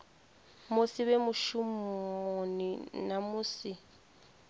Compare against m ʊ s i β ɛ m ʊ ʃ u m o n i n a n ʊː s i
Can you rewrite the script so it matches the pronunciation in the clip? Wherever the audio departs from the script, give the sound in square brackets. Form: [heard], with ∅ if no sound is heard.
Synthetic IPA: m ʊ s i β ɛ m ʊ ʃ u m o n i n a [m] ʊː s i